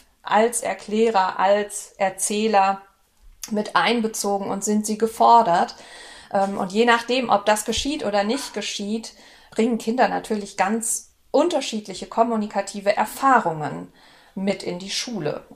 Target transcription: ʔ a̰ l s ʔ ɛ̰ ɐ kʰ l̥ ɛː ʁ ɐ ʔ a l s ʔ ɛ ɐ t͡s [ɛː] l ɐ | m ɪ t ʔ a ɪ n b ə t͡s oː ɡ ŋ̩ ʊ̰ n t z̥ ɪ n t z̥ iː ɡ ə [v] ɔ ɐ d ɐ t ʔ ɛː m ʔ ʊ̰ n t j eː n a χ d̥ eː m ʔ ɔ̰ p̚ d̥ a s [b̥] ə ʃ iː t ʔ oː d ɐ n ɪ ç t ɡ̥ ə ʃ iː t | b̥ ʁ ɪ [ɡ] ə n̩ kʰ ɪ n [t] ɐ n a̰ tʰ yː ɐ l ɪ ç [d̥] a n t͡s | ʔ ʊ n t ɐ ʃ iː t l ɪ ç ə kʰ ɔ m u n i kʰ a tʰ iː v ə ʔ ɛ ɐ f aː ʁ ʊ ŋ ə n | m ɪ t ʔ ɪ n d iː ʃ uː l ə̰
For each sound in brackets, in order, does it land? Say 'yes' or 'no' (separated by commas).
yes, no, no, no, no, no